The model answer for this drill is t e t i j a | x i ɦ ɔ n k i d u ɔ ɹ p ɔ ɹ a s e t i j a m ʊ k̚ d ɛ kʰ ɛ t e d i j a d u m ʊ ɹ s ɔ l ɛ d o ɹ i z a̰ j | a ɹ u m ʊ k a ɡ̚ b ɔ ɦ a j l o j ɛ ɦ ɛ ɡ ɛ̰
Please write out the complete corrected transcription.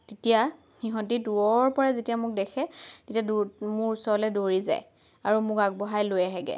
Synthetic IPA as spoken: t e t i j a | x i ɦ ɔ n t i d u ɔ ɹ p ɔ ɹ a z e t i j a m ʊ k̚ d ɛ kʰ ɛ t e t i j a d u m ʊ ɹ s ɔ l ɛ d o ɹ i z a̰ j | a ɹ u m ʊ k a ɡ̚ b ɔ ɦ a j l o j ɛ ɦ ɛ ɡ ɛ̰

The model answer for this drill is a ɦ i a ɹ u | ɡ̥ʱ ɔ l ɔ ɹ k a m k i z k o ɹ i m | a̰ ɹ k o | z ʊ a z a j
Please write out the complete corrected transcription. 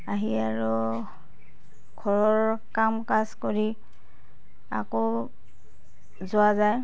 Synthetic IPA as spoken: a ɦ i a ɹ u | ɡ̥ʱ ɔ ɹ ɔ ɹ k a m k a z k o ɹ i | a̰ k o | z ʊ a z a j

